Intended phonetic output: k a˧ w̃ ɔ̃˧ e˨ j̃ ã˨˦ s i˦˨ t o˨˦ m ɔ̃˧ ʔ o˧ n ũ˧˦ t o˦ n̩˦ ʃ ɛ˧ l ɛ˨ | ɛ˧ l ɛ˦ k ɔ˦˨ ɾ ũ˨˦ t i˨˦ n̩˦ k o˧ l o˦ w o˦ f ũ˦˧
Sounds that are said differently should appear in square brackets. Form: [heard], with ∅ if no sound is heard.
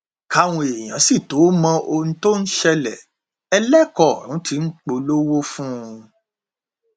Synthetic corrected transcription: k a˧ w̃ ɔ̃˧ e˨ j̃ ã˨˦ s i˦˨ t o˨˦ m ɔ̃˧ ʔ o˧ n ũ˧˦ t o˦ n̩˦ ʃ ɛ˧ l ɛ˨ | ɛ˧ l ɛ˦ k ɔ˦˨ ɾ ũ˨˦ t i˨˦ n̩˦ [k͡p] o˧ l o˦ w o˦ f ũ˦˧